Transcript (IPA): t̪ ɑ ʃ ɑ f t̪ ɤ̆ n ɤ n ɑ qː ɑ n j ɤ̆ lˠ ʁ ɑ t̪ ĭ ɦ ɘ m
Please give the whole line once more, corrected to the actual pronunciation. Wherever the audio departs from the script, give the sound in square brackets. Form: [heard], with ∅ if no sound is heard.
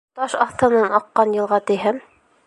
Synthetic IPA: t̪ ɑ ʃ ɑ [θ] t̪ ɤ̆ n ɤ n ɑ qː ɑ n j ɤ̆ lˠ ʁ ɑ t̪ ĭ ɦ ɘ m